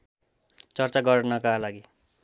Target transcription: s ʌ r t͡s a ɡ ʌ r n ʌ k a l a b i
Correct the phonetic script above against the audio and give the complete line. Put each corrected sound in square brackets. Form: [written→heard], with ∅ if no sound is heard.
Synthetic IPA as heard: [s→t͡s] ʌ r t͡s a ɡ ʌ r n ʌ k a l a [b→ɡ] i